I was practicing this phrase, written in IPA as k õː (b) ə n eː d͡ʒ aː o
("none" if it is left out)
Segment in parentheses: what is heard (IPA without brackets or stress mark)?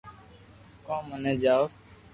m